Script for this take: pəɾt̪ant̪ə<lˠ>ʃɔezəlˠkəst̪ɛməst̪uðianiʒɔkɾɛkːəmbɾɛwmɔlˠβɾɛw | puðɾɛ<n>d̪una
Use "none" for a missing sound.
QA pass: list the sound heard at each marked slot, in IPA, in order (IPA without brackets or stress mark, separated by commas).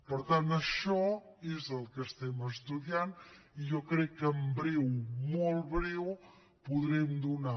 none, m